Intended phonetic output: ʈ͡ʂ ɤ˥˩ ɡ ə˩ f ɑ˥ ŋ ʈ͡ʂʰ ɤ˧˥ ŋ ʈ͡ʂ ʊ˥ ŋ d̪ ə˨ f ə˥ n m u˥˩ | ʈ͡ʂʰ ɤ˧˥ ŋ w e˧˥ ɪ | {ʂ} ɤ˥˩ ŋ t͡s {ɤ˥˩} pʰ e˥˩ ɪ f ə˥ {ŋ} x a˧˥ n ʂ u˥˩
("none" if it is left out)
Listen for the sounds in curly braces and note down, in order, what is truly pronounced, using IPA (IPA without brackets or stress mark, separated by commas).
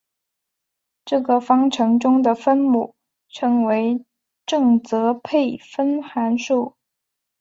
ʈ͡ʂ, ɤ˧˥, n